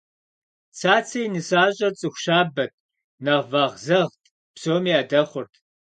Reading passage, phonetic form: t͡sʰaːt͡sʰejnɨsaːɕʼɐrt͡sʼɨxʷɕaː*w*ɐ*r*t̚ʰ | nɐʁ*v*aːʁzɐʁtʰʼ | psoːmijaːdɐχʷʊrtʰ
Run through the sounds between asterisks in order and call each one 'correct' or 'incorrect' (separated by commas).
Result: incorrect, incorrect, correct